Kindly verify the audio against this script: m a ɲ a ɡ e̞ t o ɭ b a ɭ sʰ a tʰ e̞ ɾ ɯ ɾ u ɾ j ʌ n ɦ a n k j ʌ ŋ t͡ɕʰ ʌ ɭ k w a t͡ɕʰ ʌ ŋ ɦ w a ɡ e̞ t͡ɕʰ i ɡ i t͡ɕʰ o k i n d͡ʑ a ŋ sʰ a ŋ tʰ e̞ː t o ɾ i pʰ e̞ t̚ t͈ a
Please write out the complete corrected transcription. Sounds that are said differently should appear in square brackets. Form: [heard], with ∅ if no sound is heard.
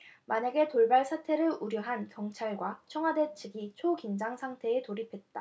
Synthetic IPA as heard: m a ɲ a ɡ e̞ t o ɭ b a ɭ sʰ a tʰ e̞ ɾ ɯ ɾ u ɾ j ʌ [∅] ɦ a n k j ʌ ŋ t͡ɕʰ [a] ɭ [ɡ] w a t͡ɕʰ ʌ ŋ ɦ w a [d] e̞ t͡ɕʰ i ɡ i t͡ɕʰ o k i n d͡ʑ a ŋ sʰ a ŋ tʰ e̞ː t o ɾ i pʰ e̞ t̚ t͈ a